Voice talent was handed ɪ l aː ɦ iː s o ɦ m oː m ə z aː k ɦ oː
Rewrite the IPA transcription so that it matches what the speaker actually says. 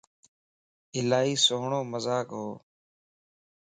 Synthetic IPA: ɪ l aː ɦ iː s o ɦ ɳ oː m ə z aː k ɦ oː